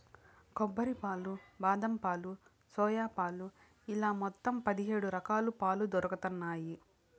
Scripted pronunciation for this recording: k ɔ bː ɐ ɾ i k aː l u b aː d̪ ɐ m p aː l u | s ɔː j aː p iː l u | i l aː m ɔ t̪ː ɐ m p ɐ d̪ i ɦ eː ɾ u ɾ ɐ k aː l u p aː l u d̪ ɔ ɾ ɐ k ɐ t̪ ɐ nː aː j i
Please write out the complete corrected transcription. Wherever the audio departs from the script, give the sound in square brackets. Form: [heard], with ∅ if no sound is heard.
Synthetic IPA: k ɔ bː ɐ ɾ i [p] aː l u b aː d̪ ɐ m p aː l u | s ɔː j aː p [aː] l u | i l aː m ɔ t̪ː ɐ m p ɐ d̪ i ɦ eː [ɽ] u ɾ ɐ k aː l u p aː l u d̪ ɔ ɾ ɐ k ɐ t̪ ɐ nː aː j i

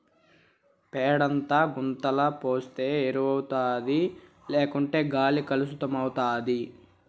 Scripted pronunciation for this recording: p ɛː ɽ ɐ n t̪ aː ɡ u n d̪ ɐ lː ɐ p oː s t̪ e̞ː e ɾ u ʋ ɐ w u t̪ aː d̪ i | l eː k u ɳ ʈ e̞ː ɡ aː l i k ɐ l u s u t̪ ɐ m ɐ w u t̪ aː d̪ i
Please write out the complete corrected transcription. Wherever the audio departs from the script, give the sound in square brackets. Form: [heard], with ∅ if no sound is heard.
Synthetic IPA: p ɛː ɽ ɐ n t̪ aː ɡ u n [t̪] ɐ [l] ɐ p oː s t̪ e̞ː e ɾ u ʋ ɐ w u t̪ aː d̪ i | l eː k u ɳ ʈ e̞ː ɡ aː l i k ɐ l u s u t̪ ɐ m ɐ w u t̪ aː d̪ i

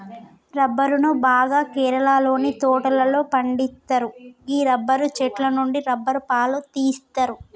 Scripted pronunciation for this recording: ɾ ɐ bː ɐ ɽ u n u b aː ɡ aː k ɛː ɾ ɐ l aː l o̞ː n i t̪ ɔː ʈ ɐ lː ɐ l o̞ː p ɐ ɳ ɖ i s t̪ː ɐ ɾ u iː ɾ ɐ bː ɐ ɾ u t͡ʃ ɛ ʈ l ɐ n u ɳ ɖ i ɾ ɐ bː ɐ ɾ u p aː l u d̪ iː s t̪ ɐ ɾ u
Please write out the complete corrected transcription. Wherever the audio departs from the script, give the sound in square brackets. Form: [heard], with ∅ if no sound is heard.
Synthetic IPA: ɾ ɐ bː ɐ [ɾ] u n u b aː ɡ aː k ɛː ɾ ɐ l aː l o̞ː n i t̪ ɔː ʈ ɐ [l] ɐ l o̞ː p ɐ ɳ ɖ i s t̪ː ɐ ɾ u iː ɾ ɐ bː ɐ ɾ u t͡ʃ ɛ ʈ l ɐ n u ɳ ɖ i ɾ ɐ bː ɐ ɾ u p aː l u [t̪] iː s t̪ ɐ ɾ u

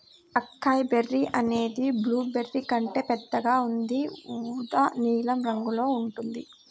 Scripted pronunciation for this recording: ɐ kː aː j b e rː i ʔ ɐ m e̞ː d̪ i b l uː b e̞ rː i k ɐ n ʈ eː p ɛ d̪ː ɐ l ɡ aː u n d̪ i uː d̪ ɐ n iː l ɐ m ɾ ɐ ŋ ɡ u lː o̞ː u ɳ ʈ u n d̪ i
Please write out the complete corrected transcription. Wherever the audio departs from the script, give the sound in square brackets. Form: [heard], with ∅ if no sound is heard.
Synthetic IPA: ɐ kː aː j b e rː i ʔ ɐ [n] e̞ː d̪ i b l uː b e̞ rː i k ɐ [ɳ] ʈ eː p ɛ d̪ː ɐ [∅] ɡ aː u n d̪ i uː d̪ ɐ n iː l ɐ m ɾ ɐ ŋ ɡ u [l] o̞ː u ɳ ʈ u n d̪ i

